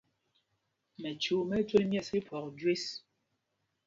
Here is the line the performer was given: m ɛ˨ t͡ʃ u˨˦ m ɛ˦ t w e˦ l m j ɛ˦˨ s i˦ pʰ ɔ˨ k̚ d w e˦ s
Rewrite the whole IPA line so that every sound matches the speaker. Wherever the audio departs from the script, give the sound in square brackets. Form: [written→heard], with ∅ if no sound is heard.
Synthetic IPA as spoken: m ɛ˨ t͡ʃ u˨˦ m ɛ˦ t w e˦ l m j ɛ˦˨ s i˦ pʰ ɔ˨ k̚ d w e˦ s